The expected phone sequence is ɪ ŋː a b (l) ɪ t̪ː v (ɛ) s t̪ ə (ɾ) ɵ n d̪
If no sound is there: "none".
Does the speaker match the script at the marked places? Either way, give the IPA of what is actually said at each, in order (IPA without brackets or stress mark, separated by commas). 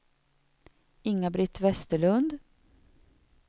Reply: ɾ, ɛ, ɭ